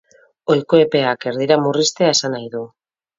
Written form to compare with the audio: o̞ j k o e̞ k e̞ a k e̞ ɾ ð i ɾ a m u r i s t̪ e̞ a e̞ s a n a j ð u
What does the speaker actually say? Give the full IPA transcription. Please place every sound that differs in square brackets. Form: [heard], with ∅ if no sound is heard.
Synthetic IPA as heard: o̞ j k o e̞ [p] e̞ a k e̞ ɾ ð i ɾ a m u r i s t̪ e̞ a e̞ s a n a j ð u